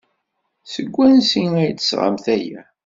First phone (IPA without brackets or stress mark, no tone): s